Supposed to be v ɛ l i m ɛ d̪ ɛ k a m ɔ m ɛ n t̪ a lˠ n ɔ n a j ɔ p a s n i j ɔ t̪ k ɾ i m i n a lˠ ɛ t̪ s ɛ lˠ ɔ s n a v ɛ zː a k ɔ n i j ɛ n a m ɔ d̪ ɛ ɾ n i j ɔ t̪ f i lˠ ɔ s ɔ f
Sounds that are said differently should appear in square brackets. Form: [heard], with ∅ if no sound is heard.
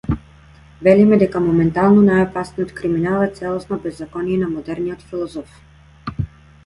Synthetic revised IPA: v ɛ l i m ɛ d̪ ɛ k a m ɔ m ɛ n t̪ a lˠ n ɔ n a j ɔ p a s n i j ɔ t̪ k ɾ i m i n a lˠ ɛ t̪ s ɛ lˠ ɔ s n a [b] ɛ zː a k ɔ n i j ɛ n a m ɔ d̪ ɛ ɾ n i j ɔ t̪ f i lˠ ɔ [z] ɔ f